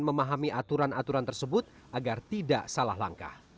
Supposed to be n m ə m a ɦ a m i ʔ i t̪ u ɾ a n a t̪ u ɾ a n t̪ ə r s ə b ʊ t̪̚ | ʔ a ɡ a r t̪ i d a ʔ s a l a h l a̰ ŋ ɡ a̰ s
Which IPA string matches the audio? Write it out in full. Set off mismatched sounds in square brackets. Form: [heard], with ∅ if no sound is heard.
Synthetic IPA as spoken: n m ə m a ɦ a m i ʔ [a] t̪ u ɾ a n a t̪ u ɾ a n t̪ ə r s ə b ʊ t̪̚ | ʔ a ɡ a r t̪ i d a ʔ s a l a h l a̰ ŋ [k] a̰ [h]